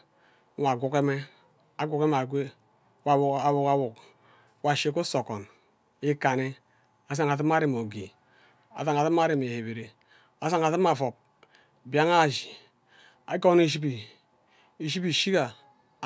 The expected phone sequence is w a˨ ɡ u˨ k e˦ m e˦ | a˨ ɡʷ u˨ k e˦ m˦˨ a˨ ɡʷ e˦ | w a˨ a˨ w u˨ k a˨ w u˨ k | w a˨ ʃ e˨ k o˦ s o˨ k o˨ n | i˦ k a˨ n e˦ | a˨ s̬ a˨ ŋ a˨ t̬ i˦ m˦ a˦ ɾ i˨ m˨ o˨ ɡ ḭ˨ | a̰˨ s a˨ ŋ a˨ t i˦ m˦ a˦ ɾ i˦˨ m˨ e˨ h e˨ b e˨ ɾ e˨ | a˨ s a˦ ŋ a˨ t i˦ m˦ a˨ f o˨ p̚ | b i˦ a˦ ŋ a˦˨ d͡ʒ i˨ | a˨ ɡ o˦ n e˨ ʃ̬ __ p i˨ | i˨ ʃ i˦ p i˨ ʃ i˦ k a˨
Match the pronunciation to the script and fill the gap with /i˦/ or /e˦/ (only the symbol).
i˦